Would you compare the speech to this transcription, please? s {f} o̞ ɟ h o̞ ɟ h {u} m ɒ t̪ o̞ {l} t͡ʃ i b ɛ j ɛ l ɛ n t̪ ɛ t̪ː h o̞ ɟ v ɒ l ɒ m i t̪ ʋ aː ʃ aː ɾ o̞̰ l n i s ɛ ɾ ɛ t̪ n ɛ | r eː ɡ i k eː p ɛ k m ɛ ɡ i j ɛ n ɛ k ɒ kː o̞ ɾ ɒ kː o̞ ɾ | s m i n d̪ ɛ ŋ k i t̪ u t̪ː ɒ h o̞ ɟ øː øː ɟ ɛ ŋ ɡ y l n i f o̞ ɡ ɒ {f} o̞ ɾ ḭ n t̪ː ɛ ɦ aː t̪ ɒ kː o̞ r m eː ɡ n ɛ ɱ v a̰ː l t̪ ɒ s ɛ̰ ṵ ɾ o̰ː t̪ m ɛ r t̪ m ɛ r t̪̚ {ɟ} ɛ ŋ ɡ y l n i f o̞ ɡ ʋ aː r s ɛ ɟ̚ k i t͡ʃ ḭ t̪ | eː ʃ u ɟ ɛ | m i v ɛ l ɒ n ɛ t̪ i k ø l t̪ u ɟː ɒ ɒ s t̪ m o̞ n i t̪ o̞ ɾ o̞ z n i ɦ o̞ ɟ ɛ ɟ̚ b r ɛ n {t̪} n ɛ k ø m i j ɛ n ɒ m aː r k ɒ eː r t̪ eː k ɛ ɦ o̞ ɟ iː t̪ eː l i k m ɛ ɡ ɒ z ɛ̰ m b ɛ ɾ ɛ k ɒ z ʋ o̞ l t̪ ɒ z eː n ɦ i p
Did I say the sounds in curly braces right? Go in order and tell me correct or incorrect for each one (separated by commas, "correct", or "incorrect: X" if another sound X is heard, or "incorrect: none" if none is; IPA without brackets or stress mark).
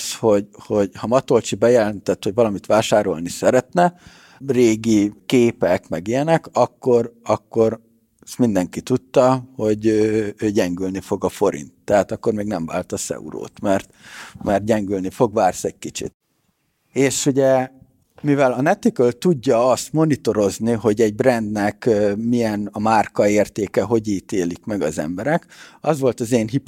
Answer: incorrect: h, incorrect: ɒ, correct, correct, correct, incorrect: d̪